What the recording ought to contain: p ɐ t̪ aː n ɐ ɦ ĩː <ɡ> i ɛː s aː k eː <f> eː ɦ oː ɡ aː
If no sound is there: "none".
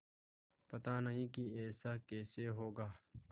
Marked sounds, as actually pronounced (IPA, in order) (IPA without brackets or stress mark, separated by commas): k, s